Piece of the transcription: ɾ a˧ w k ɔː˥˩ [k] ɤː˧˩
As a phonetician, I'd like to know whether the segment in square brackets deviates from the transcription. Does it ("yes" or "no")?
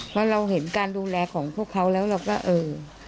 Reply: yes